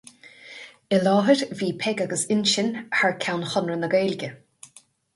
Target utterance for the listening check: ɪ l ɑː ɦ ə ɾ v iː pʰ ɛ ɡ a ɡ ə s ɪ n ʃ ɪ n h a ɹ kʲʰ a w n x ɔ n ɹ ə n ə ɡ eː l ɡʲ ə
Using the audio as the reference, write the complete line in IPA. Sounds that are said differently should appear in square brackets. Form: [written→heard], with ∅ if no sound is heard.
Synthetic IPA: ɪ l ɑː ɦ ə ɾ v iː pʰ ɛ ɡ a ɡ ə s ɪ n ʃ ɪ n h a ɹ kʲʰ a w n x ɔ n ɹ ə n ə ɡ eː l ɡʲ ə